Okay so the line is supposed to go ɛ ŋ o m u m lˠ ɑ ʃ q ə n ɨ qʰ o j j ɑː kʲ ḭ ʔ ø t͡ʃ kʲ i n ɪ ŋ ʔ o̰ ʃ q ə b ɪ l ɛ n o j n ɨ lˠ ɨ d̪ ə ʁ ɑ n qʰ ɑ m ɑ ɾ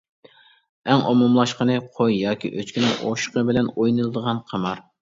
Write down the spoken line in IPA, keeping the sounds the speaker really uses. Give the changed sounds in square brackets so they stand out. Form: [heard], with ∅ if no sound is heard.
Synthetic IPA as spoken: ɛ ŋ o m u m lˠ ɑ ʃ q ə n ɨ qʰ o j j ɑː kʲ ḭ ʔ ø t͡ʃ kʲ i n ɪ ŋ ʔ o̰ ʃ q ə b ɪ l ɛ n o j n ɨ lˠ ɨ d̪ ə ʁ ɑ n qʰ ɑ m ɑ ɾ